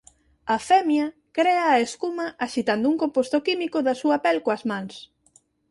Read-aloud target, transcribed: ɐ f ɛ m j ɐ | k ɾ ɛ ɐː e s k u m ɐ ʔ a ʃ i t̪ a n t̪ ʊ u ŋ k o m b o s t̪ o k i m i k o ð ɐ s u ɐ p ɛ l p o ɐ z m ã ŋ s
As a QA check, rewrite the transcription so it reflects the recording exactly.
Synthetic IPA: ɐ f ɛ m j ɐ | k ɾ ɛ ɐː e s k u m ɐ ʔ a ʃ i t̪ a n d̪ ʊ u ŋ k o m p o s t̪ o k i m i k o ð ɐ s u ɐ p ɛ l k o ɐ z m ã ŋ s